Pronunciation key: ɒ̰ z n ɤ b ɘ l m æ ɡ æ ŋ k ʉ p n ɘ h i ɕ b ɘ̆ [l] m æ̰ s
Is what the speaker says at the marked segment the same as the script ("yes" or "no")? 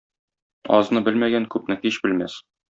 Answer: yes